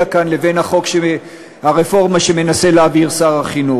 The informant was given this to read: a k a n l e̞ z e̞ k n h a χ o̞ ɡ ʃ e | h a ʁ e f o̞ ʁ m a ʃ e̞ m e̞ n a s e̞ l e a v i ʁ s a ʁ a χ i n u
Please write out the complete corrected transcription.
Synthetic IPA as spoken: a k a n l e̞ v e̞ n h a χ o̞ k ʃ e | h a ʁ e f o̞ ʁ m a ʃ e̞ m e̞ n a s e̞ l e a v i ʁ s a ʁ a χ i n u